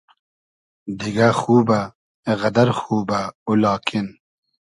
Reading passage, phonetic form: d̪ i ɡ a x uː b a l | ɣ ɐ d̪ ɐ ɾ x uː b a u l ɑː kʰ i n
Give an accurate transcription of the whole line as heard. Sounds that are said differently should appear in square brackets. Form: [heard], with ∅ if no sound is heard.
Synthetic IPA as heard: d̪ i ɡ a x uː b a [∅] | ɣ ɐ d̪ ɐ ɾ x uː b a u l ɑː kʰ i n